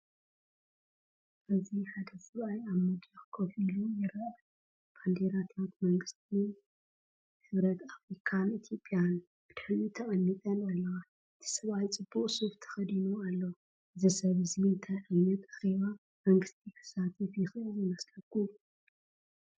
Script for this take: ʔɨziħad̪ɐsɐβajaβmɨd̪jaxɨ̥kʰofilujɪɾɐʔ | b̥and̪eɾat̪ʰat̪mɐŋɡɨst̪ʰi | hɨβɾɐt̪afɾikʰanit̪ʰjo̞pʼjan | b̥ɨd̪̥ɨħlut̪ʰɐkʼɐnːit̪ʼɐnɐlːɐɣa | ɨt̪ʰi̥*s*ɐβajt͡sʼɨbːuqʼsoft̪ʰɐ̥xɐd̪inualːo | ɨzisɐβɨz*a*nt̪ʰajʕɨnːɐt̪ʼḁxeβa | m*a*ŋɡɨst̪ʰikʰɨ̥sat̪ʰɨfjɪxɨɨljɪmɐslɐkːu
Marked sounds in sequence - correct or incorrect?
correct, incorrect: i, incorrect: ɐ

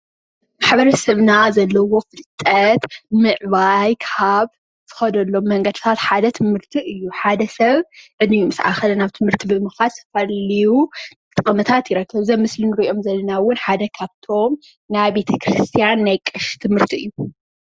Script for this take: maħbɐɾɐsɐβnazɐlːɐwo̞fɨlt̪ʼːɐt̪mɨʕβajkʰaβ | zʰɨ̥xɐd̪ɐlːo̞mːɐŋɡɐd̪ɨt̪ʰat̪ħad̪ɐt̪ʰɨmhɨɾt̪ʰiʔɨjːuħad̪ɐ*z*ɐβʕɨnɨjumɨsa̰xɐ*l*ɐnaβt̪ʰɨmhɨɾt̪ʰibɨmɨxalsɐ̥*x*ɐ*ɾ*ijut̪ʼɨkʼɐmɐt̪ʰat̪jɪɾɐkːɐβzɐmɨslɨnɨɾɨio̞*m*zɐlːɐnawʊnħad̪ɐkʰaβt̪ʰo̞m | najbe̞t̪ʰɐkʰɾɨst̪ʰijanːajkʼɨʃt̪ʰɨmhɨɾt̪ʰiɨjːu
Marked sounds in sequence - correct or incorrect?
incorrect: s, correct, incorrect: f, incorrect: l, correct

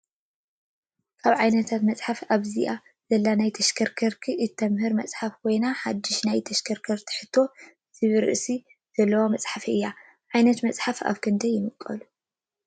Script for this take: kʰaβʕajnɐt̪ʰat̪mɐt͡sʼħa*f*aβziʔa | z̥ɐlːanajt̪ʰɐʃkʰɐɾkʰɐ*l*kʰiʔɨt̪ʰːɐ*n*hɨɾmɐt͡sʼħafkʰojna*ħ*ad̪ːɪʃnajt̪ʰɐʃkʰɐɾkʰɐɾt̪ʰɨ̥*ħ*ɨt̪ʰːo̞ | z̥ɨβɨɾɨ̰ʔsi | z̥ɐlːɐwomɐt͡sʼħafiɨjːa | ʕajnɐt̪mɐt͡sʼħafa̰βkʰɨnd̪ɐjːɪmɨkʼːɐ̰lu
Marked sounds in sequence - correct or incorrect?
correct, incorrect: ɾ, incorrect: m, correct, correct

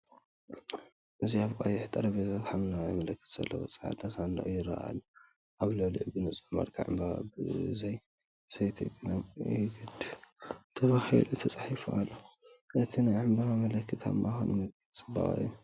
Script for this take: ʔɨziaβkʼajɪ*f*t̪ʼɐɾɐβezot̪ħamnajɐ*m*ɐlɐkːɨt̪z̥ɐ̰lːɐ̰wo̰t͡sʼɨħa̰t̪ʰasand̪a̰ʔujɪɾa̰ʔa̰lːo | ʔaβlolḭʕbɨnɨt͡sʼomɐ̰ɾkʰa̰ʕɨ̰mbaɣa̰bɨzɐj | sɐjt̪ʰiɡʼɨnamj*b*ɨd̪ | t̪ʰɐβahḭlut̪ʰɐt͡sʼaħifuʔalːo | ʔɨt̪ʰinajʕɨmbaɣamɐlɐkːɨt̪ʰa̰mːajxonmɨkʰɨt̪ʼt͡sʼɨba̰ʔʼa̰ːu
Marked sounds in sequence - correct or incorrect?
incorrect: ħ, correct, incorrect: ɡ

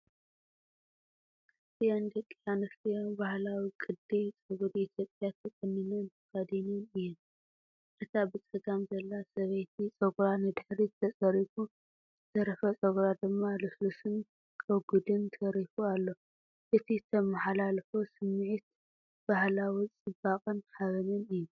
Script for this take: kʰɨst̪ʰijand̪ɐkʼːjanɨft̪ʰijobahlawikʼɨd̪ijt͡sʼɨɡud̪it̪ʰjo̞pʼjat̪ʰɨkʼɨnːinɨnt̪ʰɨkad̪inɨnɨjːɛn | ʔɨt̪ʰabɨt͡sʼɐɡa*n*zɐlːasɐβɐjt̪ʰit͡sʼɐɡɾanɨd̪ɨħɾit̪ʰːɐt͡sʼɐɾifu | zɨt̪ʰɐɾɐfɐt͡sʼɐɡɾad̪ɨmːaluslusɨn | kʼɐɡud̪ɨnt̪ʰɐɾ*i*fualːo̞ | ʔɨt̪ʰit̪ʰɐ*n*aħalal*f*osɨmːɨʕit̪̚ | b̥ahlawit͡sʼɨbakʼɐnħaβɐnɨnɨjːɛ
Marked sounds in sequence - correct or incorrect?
incorrect: m, correct, incorrect: m, correct

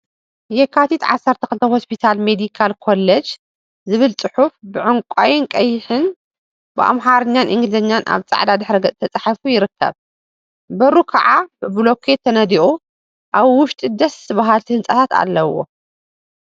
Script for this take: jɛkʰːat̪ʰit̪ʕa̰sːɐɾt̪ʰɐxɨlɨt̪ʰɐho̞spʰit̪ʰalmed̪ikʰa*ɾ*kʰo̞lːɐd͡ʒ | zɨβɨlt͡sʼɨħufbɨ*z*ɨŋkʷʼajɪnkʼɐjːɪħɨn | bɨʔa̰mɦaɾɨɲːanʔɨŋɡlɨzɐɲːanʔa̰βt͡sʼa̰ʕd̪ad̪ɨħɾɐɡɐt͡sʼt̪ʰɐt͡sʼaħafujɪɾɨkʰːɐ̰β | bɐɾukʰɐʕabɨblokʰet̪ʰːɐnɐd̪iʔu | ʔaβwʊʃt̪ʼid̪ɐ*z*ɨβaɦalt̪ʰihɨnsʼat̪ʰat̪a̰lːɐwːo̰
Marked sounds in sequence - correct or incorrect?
incorrect: l, incorrect: ʕ, incorrect: s

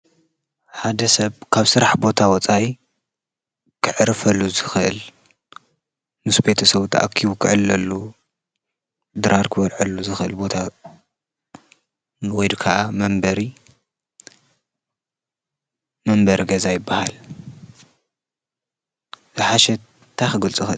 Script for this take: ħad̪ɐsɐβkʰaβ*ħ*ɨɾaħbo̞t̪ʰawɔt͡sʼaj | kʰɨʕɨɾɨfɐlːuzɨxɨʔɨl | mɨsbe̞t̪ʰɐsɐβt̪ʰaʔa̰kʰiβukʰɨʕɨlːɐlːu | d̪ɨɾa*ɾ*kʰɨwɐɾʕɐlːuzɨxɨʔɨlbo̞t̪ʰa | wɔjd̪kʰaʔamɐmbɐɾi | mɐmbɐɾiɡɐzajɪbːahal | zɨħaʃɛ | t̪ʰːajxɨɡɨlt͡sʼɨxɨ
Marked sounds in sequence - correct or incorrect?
incorrect: s, correct

